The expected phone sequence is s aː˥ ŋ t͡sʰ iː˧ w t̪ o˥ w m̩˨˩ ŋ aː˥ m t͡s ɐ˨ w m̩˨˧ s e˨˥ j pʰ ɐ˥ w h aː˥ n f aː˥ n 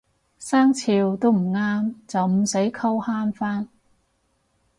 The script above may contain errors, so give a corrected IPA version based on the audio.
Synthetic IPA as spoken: s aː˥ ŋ t͡sʰ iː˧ w t̪ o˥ w m̩˨˩ ŋ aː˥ m t͡s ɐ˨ w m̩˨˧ s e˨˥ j kʰ ɐ˥ w h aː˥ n f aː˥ n